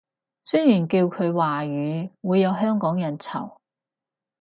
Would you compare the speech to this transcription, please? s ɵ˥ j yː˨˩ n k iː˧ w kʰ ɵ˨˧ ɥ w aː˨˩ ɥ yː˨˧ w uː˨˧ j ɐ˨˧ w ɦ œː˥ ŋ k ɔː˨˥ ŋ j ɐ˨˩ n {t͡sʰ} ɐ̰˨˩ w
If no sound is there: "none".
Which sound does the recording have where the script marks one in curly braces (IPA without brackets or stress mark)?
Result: t͡sʰ